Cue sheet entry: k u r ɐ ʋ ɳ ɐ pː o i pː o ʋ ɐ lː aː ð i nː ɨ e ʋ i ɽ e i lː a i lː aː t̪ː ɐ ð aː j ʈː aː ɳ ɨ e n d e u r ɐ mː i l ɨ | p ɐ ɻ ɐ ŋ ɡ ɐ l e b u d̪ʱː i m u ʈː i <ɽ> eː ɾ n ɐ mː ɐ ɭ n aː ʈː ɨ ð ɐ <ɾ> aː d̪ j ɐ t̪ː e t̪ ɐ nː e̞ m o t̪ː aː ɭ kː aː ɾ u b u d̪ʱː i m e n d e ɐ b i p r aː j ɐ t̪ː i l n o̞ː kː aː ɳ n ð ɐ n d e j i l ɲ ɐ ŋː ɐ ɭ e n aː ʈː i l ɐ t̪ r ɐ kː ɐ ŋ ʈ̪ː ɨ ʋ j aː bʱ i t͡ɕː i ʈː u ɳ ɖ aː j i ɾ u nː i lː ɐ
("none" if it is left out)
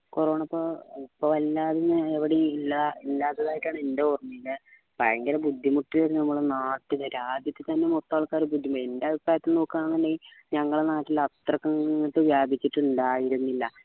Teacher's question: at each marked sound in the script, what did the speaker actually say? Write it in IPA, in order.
l, ɾ

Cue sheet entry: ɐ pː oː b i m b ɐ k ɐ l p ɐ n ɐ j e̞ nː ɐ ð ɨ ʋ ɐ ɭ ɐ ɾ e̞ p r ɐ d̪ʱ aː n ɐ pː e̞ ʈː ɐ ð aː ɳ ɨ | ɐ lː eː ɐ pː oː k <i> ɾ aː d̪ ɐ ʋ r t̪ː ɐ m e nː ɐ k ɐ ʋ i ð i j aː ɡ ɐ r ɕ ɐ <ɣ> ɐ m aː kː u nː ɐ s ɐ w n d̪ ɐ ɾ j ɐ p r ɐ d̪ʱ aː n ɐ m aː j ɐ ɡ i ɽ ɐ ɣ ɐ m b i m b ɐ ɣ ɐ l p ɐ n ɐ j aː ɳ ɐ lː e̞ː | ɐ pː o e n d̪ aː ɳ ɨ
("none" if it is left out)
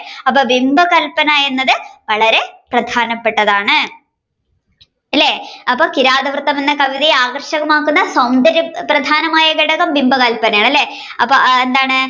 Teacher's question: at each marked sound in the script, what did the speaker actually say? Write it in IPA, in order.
i, ɣ

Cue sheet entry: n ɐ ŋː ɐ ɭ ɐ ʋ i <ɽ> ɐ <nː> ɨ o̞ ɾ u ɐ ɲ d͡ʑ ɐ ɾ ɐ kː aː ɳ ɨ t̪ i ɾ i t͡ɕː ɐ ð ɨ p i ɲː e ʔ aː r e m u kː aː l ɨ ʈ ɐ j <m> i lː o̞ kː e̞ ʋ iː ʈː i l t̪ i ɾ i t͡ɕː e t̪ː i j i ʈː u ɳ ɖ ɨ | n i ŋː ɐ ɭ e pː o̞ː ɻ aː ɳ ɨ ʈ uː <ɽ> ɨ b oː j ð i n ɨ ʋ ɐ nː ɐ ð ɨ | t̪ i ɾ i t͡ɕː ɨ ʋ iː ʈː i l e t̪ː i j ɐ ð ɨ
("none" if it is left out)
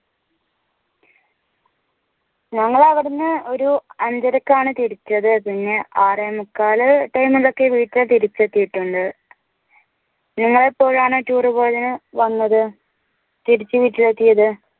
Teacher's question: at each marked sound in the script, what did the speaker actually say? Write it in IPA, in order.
ɽ, nː, m, r

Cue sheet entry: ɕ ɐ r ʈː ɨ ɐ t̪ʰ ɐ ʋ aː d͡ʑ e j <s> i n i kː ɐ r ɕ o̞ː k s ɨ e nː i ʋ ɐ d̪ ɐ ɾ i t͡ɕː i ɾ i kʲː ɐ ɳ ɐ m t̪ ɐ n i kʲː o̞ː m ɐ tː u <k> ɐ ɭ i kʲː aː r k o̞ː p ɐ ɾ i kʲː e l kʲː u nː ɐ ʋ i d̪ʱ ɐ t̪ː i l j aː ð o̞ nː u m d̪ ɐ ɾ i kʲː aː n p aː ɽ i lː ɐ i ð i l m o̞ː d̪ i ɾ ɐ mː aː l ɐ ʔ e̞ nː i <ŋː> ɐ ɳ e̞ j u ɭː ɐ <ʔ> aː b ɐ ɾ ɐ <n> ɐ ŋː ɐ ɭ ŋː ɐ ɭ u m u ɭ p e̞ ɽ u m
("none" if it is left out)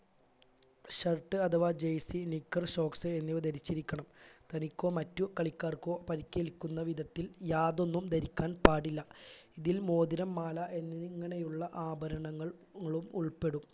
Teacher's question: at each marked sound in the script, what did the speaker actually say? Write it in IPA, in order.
s, k, ŋː, ʔ, ɳ

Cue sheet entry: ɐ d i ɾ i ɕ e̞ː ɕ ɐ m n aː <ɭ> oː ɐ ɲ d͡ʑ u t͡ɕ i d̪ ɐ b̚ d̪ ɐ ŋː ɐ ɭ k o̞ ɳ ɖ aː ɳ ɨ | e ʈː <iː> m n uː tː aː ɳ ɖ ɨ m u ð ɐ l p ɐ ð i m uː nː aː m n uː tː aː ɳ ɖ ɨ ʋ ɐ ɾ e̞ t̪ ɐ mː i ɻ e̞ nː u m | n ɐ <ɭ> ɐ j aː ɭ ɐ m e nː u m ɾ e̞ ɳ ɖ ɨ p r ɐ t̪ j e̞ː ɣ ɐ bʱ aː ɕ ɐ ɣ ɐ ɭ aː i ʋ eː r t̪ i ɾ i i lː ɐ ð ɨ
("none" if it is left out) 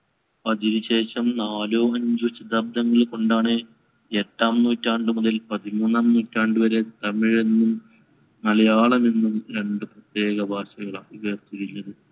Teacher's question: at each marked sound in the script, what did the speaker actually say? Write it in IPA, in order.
l, aː, l

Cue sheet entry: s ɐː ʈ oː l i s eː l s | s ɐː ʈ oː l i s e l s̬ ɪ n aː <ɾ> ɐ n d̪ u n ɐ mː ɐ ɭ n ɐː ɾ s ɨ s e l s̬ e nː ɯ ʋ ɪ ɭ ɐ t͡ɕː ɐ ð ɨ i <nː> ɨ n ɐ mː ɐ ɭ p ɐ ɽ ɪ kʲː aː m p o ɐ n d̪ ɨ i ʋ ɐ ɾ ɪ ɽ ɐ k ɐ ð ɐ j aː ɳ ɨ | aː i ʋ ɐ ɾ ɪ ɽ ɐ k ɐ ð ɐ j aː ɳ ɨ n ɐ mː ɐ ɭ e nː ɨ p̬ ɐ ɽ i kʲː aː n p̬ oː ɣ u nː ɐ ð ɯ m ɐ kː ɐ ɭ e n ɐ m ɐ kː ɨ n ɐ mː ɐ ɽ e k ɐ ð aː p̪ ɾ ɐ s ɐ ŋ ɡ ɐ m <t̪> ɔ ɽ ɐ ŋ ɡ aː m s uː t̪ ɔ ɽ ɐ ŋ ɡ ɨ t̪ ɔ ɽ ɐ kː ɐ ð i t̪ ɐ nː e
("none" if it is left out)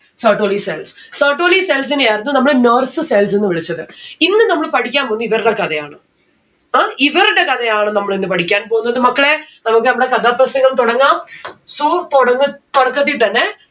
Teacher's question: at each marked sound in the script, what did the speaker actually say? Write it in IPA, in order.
ɾ, nː, t̪

